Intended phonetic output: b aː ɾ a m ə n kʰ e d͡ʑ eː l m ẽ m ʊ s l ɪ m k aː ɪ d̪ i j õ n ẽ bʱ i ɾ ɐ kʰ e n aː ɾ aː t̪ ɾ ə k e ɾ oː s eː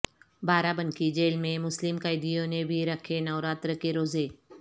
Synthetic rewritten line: b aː ɾ a b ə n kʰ i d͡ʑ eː l m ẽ m ʊ s l ɪ m k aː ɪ d̪ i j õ n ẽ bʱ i ɾ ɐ kʰ e n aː ɾ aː t̪ ɾ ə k e ɾ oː z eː